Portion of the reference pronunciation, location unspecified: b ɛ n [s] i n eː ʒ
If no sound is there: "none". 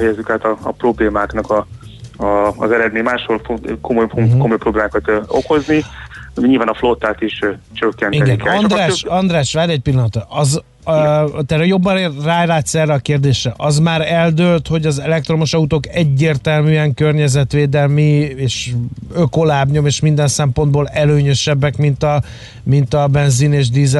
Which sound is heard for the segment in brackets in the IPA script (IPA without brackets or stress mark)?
z